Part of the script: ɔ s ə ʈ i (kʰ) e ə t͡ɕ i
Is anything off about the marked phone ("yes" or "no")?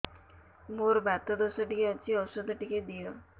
yes